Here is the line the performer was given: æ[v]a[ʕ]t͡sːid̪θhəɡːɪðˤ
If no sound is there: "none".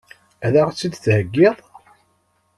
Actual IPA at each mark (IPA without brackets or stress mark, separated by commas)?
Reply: ð, ʁ